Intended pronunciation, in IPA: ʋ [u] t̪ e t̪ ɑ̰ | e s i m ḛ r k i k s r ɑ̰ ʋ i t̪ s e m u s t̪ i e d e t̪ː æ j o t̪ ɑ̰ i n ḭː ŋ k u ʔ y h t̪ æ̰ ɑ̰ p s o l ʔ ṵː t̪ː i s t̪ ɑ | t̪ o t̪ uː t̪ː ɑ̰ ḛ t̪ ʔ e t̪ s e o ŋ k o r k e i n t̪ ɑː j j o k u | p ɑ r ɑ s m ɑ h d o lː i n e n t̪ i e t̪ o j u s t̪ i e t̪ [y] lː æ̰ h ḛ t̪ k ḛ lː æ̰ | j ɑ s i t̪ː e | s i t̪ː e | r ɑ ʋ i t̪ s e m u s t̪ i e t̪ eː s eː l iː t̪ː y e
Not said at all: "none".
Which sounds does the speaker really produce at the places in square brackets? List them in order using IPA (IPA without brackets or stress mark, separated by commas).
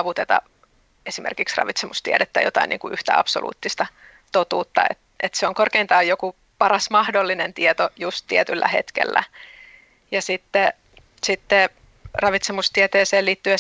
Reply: u, y